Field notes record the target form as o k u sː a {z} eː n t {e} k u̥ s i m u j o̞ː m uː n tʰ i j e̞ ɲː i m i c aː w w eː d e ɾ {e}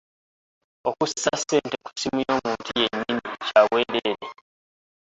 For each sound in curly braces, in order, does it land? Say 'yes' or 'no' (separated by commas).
no, yes, yes